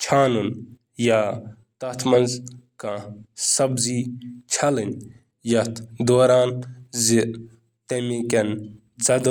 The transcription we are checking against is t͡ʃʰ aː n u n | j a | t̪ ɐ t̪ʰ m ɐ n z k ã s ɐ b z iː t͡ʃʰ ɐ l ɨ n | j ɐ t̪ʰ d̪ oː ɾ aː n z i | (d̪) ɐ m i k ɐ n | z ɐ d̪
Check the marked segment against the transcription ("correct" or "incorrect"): incorrect